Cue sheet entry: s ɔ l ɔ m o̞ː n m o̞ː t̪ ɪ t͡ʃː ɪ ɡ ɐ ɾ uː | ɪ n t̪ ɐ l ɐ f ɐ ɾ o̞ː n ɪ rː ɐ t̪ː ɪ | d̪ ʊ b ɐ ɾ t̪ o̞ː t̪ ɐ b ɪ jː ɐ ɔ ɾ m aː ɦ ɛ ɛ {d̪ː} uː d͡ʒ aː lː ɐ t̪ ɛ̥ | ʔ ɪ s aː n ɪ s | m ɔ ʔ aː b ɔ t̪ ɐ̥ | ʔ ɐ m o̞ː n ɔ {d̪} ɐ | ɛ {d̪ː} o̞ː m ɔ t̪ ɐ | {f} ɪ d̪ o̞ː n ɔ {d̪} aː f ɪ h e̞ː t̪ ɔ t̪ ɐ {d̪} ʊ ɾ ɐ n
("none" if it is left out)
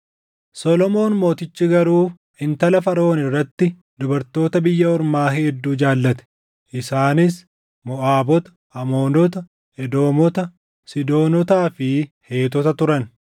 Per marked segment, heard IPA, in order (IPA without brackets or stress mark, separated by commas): d̪ː, t̪, d̪, s, t̪, t̪